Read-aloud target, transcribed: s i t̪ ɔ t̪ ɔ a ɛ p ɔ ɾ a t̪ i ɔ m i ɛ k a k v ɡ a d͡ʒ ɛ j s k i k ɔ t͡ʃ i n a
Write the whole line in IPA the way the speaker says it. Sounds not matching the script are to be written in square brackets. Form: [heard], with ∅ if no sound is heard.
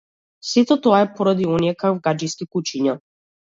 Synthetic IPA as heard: s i t̪ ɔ t̪ ɔ a ɛ p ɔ ɾ a [d̪] i ɔ [n] i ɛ k a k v ɡ a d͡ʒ [i] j s k i k [u] t͡ʃ i [ɲ] a